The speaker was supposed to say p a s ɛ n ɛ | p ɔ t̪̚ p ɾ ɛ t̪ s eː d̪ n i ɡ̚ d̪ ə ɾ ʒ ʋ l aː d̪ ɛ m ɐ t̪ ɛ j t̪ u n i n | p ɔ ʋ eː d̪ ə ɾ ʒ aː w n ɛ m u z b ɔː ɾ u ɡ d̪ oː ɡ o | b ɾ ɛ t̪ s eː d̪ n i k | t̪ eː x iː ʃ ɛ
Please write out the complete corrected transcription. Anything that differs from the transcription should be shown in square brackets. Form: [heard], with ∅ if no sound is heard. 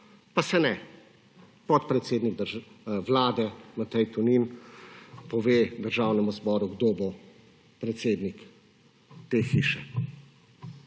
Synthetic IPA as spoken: p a s ɛ n ɛ | p ɔ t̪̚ p ɾ ɛ t̪ s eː d̪ n i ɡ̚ d̪ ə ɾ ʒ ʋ l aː d̪ ɛ m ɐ t̪ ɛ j t̪ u n i n | p ɔ ʋ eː d̪ ə ɾ ʒ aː w n ɛ m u z b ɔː ɾ u ɡ d̪ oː [b] o | [p] ɾ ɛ t̪ s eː d̪ n i k | t̪ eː x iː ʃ ɛ